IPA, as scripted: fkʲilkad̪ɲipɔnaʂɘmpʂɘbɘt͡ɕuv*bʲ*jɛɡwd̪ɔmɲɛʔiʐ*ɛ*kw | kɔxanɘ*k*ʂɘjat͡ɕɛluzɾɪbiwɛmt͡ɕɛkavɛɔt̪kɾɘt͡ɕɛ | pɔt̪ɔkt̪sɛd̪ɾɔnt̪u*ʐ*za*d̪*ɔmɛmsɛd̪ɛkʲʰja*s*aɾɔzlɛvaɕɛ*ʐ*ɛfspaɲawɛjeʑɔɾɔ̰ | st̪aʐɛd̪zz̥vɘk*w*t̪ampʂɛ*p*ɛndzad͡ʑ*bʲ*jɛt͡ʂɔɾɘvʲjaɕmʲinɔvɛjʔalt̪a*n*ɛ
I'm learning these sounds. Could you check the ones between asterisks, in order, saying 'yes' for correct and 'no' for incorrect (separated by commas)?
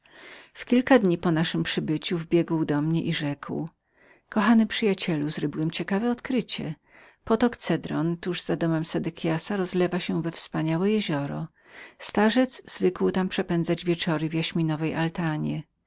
yes, yes, no, yes, yes, yes, no, yes, yes, no, no